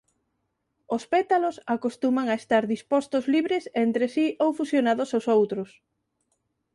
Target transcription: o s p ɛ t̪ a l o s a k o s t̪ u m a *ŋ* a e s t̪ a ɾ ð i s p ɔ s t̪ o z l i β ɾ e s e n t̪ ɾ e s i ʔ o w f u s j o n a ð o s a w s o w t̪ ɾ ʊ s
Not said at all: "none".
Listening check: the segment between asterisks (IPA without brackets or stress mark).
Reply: ŋ